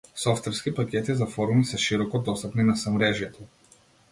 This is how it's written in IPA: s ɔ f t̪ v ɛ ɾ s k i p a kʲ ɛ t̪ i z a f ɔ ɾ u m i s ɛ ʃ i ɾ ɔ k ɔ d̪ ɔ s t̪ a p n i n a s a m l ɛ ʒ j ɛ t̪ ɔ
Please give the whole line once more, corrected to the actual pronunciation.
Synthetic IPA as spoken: s ɔ f t̪ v ɛ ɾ s k i p a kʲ ɛ t̪ i z a f ɔ ɾ u m i s ɛ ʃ i ɾ ɔ k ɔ d̪ ɔ s t̪ a p n i n a s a m ɾ ɛ ʒ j ɛ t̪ ɔ